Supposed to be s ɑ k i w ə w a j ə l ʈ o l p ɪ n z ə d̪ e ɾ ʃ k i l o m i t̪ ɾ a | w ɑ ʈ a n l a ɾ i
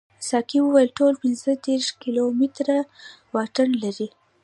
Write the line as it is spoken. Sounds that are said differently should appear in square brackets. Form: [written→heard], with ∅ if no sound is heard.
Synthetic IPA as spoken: s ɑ k i w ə w a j ə l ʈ o l p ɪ n z ə d̪ e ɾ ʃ k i l o m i t̪ ɾ a | w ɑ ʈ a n l a ɾ i